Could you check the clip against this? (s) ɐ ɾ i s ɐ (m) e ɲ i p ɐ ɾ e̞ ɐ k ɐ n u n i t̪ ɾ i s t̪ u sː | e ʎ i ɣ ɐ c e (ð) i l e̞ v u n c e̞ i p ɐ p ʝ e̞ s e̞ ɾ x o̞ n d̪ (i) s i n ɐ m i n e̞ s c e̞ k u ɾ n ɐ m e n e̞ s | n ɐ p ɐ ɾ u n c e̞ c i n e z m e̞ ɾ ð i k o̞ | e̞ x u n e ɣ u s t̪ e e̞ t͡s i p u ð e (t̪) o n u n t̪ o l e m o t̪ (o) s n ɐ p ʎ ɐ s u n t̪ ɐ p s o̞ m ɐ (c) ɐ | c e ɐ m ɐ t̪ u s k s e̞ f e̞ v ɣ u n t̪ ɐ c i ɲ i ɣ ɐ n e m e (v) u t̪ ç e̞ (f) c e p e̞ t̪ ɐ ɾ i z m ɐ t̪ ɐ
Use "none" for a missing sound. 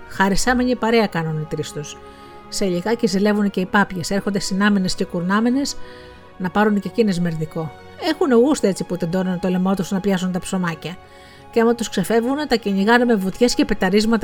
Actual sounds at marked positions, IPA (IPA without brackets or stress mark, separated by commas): x, m, z, e, d̪, u, c, v, s